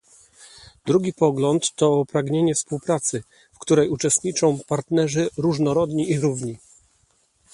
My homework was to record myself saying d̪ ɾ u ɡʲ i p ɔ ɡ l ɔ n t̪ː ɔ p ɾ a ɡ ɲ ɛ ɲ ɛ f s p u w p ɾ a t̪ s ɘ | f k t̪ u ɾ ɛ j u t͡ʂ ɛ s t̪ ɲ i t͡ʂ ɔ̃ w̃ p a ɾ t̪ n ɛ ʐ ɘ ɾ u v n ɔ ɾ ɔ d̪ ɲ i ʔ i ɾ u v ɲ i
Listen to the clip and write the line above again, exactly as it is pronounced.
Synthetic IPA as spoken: d̪ ɾ u ɡʲ i p ɔ ɡ l ɔ n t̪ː ɔ p ɾ a ɡ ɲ e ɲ ɛ f s p u w p ɾ a t̪ s ɘ | f k t̪ u ɾ ɛ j u t͡ʂ ɛ s t̪ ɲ i t͡ʂ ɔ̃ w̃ p a ɾ t̪ n ɛ ʐ ɘ ɾ u ʐ n ɔ ɾ ɔ d̪ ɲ i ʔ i ɾ u v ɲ i

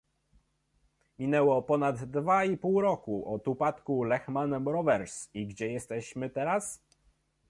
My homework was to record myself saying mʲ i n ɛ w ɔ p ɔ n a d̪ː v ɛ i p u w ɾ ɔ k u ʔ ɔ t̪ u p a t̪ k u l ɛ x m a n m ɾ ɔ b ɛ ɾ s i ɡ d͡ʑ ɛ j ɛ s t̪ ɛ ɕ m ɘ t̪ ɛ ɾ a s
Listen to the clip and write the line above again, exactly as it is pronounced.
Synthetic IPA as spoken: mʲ i n ɛ w ɔ p ɔ n a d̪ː v a i p u w ɾ ɔ k u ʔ ɔ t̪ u p a t̪ k u l ɛ x m a n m ɾ ɔ v ɛ ɾ s i ɡ d͡ʑ ɛ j ɛ s t̪ ɛ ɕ m ɘ t̪ ɛ ɾ a s

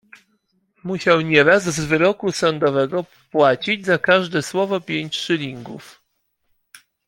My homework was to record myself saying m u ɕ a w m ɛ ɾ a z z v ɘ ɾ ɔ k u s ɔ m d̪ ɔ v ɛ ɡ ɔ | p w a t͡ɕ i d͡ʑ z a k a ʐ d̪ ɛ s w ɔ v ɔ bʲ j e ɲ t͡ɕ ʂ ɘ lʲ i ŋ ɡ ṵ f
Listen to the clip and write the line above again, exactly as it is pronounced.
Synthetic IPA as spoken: m u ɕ a w ɲ ɛ ɾ a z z v ɘ ɾ ɔ k u s ɔ n d̪ ɔ v ɛ ɡ ɔ | p w a t͡ɕ i d͡ʑ z a k a ʐ d̪ ɛ s w ɔ v ɔ pʲ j e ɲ t͡ɕ ʂ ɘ lʲ i ŋ ɡ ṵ f

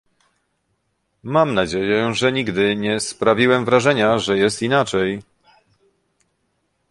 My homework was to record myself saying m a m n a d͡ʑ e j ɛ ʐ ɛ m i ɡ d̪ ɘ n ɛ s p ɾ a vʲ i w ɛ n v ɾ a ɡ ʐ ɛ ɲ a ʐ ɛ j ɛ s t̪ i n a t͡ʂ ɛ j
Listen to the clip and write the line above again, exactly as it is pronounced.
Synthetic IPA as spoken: m a m n a d͡ʑ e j ɛ ʐ ɛ ɲ i ɡ d̪ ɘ ɲ ɛ s p ɾ a vʲ i w ɛ m v ɾ a ʐ ɛ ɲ a ʐ ɛ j ɛ s t̪ i n a t͡ʂ ɛ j

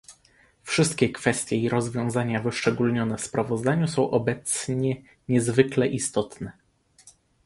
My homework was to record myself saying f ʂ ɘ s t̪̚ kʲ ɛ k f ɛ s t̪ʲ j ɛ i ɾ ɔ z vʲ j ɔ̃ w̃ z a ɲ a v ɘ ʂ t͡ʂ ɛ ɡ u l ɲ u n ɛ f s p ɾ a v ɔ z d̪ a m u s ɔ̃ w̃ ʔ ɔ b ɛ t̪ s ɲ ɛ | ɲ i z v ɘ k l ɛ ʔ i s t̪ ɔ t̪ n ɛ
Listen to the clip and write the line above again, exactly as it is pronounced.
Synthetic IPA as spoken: f ʂ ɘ s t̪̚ kʲ ɛ k f ɛ s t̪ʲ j ɛ i ɾ ɔ z vʲ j ɔ̃ w̃ z a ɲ a v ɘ ʂ t͡ʂ ɛ ɡ u l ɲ ɔ n ɛ f s p ɾ a v ɔ z d̪ a ɲ u s ɔ̃ w̃ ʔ ɔ b ɛ t̪ s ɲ ɛ | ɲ ɛ z v ɘ k l ɛ ʔ i s t̪ ɔ t̪ n ɛ

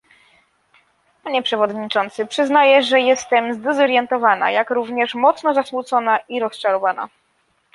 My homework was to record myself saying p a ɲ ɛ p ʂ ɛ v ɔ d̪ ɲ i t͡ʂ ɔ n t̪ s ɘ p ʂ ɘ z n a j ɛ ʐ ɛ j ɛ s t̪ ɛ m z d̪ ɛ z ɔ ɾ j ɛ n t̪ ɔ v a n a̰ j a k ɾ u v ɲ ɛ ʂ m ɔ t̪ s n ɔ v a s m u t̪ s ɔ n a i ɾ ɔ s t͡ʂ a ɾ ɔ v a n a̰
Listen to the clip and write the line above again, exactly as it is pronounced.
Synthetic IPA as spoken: p a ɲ ɛ p ʂ ɛ v ɔ d̪ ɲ i t͡ʂ ɔ n t̪ s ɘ p ʂ ɘ z n a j ɛ ʐ ɛ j ɛ s t̪ ɛ m z d̪ ɛ z ɔ ɾ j ɛ n t̪ ɔ v a n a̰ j a k ɾ u v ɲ ɛ ʂ m ɔ t̪ s n ɔ z a s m u t̪ s ɔ n a i ɾ ɔ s t͡ʂ a ɾ ɔ v a n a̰

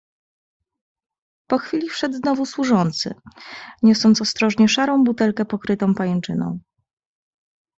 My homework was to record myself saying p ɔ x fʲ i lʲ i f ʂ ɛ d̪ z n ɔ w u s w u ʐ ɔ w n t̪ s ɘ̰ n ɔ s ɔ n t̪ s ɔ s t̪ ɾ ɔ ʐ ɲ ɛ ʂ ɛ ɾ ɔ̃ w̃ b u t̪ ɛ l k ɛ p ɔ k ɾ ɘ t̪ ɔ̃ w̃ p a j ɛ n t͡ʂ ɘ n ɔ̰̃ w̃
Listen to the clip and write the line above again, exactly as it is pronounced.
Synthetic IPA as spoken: p ɔ x fʲ i lʲ i f ʂ ɛ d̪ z n ɔ v u s w u ʐ ɔ n t̪ s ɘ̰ ɲ ɔ s ɔ n t̪ s ɔ s t̪ ɾ ɔ ʐ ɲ ɛ ʂ a ɾ ɔ̃ w̃ b u t̪ ɛ l k ɛ p ɔ k ɾ ɘ t̪ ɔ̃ w̃ p a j ɛ n t͡ʂ ɘ n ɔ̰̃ w̃

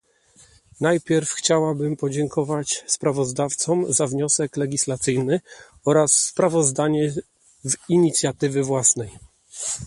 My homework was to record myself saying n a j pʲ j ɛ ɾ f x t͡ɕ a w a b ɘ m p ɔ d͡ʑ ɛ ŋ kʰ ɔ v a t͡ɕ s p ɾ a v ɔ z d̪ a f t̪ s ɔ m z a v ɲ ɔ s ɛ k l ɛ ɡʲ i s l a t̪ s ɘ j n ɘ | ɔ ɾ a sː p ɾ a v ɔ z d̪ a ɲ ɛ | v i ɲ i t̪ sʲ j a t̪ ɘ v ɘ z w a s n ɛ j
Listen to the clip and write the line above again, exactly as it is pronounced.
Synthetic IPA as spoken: n a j pʲ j ɛ ɾ f x t͡ɕ a w a b ɘ m p ɔ d͡ʑ ɛ ŋ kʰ ɔ v a t͡ɕ s p ɾ a v ɔ z d̪ a f t̪ s ɔ m z a v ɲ ɔ s ɛ k l ɛ ɡʲ i s l a t̪ s ɘ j n ɘ | ɔ ɾ a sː p ɾ a v ɔ z d̪ a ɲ ɛ | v i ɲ i t̪ sʲ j a t̪ ɘ v ɘ v w a s n ɛ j

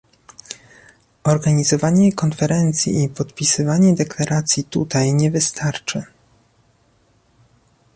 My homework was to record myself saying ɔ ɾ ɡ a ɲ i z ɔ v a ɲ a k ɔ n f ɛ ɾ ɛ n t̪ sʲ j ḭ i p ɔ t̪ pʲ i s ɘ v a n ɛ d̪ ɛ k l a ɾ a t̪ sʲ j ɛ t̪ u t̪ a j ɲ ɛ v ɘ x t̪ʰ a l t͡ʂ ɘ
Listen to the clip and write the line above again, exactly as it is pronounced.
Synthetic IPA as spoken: ɔ ɾ ɡ a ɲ i z ɔ v a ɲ ɛ k ɔ n f ɛ ɾ ɛ n t̪ sʲ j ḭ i p ɔ t̪ pʲ i s ɘ v a ɲ ɛ d̪ ɛ k l a ɾ a t̪ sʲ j i t̪ u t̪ a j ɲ ɛ v ɘ s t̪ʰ a ɾ t͡ʂ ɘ

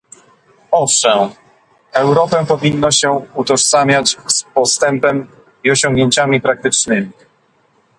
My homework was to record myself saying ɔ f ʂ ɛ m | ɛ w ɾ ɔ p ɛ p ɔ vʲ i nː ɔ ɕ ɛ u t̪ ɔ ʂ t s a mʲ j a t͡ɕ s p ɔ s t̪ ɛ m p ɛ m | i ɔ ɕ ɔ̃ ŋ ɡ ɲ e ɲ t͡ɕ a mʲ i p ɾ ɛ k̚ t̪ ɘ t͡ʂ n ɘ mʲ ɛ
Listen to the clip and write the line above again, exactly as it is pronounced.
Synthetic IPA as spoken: ɔ f ʂ ɛ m | ɛ w ɾ ɔ p ɛ p ɔ vʲ i nː ɔ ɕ ɛ u t̪ ɔ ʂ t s a mʲ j a t͡ɕ s p ɔ s t̪ ɛ m p ɛ m | i ɔ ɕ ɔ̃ ŋ ɡ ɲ e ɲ t͡ɕ a mʲ i p ɾ a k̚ t̪ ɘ t͡ʂ n ɘ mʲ i

